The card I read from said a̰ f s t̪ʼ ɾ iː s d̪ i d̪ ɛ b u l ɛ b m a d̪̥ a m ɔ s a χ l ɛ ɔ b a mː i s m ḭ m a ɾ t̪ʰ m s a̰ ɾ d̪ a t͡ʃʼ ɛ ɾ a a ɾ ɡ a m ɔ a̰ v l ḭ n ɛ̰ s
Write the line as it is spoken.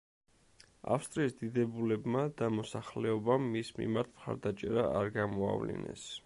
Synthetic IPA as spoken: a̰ f s t̪ʼ ɾ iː s d̪ i d̪ ɛ b u l ɛ b m a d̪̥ a m ɔ s a χ l ɛ ɔ b a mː i s m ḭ m a ɾ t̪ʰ m χ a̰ ɾ d̪ a t͡ʃʼ ɛ ɾ a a ɾ ɡ a m ɔ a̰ v l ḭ n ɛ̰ s